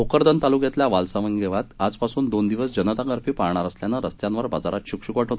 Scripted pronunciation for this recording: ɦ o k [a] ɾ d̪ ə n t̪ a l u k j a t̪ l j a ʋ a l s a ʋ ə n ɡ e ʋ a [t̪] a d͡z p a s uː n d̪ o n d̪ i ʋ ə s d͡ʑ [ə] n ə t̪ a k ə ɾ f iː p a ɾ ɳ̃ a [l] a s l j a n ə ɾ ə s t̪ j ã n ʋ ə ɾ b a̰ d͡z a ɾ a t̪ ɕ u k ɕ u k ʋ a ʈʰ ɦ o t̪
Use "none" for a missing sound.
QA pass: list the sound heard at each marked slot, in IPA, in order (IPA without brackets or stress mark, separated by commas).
ə, t̪, ə, ɾ